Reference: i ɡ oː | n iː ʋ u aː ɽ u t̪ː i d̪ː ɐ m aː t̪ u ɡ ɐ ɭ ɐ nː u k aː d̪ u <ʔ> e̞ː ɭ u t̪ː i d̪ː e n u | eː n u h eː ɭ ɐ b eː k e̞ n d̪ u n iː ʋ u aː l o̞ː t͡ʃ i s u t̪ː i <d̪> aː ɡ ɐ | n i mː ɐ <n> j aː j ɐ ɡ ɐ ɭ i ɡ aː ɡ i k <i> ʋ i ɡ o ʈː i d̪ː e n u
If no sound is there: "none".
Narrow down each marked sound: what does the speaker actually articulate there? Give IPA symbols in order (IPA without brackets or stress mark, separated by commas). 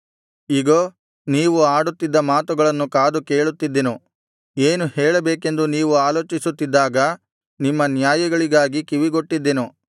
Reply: k, d̪ː, n, i